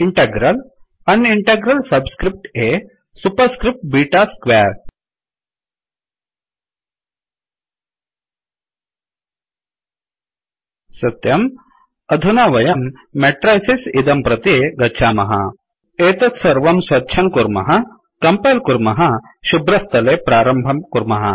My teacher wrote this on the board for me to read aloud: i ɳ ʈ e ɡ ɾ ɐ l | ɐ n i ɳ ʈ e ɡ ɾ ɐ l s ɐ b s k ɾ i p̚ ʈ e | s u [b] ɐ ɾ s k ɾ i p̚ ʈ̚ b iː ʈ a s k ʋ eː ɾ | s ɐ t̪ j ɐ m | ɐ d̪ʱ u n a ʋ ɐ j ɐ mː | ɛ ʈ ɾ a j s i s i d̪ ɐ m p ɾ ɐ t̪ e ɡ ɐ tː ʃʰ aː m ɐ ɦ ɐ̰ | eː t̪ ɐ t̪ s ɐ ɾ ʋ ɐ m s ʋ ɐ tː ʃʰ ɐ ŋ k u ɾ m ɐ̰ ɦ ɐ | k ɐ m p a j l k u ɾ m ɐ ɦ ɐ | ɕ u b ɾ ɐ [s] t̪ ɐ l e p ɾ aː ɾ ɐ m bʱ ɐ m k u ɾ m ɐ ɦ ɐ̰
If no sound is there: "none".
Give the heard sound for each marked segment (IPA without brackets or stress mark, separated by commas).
p, s